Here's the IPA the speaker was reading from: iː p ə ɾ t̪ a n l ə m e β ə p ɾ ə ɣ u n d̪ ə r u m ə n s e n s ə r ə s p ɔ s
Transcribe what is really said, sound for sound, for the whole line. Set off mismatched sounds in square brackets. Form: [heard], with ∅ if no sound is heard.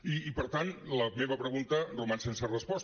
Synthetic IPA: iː p ə ɾ t̪ a n l ə m e β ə p ɾ ə ɣ u n [t̪] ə r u m [a] n s e n s ə r ə s p ɔ s